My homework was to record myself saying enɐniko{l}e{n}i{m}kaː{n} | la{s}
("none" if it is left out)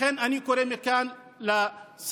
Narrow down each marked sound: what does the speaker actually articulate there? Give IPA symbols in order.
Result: ɾ, m, none, n, s

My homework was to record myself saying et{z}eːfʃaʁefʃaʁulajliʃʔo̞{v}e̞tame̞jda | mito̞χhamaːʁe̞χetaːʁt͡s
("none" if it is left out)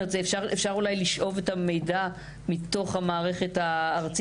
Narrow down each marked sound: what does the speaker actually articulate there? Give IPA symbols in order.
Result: z, v

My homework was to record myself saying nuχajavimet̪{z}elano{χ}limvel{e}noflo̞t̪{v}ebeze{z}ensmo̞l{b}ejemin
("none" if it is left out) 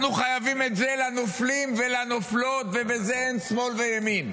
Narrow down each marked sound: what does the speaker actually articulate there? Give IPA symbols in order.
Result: z, f, a, v, none, v

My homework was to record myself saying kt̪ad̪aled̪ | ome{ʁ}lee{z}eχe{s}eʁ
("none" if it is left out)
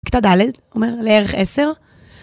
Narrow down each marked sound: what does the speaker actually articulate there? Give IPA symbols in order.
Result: ʁ, ʁ, s

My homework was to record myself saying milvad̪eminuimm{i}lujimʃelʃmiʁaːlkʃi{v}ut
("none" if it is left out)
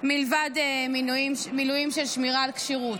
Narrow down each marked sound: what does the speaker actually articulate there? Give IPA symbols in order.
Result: i, ʁ

